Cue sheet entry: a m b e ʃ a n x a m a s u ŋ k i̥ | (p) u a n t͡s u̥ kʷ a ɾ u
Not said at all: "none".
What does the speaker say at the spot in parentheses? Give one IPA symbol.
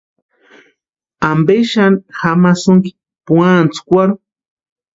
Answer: p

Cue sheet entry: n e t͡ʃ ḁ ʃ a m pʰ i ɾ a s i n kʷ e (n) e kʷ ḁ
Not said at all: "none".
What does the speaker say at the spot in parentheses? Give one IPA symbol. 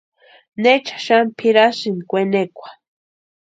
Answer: n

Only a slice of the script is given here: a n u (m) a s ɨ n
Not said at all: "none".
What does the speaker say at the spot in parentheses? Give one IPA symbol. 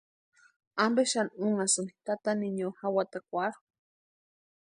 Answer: ŋ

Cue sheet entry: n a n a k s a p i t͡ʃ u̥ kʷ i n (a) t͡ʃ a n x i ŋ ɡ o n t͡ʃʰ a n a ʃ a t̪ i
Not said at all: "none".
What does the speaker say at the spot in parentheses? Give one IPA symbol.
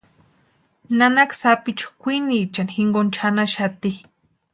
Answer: i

